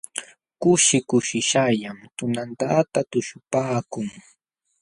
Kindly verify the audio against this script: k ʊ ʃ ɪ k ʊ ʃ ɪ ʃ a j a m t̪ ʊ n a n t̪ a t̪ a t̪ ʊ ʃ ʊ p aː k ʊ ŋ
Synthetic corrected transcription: k ʊ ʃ ɪ k ʊ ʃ ɪ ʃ a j a m t̪ ʊ n a n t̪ a t̪ a t̪ ʊ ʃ ʊ p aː k ʊ ŋ